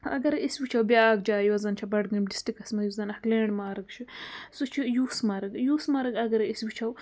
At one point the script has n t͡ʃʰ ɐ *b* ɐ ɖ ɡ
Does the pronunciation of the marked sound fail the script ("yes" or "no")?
no